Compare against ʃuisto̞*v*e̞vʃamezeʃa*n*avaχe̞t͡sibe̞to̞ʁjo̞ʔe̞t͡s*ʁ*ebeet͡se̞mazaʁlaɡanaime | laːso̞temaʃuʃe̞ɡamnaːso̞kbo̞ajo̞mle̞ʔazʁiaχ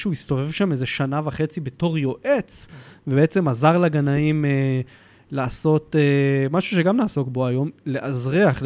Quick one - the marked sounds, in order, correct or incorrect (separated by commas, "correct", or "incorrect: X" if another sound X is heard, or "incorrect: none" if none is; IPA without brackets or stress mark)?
correct, correct, incorrect: v